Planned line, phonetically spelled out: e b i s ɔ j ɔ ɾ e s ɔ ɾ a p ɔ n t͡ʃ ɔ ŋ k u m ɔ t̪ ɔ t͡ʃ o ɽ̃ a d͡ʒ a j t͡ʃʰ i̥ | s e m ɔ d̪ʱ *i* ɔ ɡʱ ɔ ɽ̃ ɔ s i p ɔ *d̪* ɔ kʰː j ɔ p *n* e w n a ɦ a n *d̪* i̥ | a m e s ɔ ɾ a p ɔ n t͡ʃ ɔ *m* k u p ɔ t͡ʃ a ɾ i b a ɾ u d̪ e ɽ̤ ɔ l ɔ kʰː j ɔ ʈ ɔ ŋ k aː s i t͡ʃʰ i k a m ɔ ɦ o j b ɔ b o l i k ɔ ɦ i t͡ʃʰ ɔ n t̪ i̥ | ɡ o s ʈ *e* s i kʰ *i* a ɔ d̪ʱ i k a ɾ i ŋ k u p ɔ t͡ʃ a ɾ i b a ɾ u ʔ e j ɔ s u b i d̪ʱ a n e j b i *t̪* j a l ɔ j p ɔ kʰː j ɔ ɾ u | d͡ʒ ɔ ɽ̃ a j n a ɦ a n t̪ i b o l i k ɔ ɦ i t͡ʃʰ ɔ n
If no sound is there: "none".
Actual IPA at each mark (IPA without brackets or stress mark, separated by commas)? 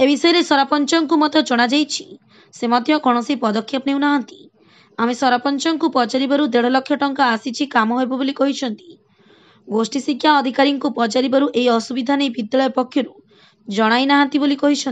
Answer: j, d̪, n, t̪, ŋ, i, j, d̪